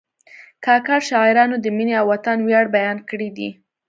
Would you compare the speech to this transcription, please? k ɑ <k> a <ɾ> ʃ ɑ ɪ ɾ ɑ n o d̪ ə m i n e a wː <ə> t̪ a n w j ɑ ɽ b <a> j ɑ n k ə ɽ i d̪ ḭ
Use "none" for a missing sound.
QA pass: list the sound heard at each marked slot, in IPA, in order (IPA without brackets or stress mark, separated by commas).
k, ɾ, a, a